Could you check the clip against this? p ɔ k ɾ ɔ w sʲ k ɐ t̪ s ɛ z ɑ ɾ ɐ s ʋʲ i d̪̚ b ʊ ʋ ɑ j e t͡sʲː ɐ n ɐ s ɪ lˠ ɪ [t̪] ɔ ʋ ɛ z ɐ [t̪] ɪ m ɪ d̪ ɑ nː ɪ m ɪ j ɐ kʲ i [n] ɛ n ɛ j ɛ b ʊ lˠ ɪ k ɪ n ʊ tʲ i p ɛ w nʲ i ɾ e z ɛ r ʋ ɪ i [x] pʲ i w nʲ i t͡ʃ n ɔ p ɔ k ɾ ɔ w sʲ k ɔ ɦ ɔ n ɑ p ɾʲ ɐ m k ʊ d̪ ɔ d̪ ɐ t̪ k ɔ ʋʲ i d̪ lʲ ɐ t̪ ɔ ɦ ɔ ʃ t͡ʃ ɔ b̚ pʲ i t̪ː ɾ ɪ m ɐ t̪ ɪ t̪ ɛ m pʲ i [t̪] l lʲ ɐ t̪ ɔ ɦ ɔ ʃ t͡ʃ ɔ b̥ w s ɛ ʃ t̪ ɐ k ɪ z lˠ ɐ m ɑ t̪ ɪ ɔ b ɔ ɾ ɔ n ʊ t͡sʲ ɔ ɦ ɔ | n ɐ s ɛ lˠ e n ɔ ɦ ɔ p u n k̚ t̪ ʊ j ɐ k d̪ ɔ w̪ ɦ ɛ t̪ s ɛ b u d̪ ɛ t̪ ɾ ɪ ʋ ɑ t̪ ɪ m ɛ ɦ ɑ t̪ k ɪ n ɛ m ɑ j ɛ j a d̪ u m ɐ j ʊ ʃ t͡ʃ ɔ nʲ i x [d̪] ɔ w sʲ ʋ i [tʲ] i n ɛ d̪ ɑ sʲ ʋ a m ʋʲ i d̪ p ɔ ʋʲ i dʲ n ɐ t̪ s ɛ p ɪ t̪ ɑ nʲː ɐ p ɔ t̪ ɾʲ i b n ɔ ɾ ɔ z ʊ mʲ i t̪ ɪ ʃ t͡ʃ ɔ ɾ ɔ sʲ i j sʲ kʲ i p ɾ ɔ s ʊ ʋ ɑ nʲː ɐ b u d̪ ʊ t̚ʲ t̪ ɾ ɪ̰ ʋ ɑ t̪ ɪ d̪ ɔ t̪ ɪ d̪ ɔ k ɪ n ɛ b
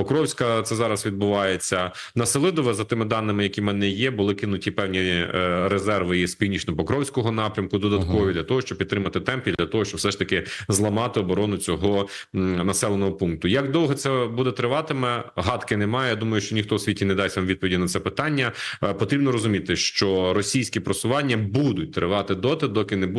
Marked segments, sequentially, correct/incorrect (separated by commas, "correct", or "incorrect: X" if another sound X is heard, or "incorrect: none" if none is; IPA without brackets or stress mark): incorrect: d̪, correct, incorrect: m, incorrect: s, incorrect: d̪, incorrect: t̪, correct